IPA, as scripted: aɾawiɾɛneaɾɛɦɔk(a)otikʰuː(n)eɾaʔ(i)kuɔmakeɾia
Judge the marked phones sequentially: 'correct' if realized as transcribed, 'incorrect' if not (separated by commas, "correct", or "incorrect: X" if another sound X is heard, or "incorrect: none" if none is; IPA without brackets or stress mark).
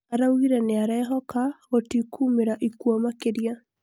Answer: correct, incorrect: m, correct